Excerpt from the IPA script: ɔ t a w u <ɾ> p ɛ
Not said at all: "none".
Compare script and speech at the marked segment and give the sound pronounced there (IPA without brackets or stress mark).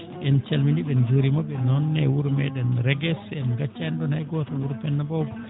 ɾ